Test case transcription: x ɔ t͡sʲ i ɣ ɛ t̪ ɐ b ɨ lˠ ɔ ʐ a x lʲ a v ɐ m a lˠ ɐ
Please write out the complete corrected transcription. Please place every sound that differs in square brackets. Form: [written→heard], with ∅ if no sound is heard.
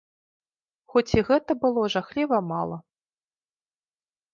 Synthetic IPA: x ɔ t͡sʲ i ɣ ɛ t̪ ɐ b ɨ lˠ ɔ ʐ a x lʲ [a→i] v ɐ m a lˠ ɐ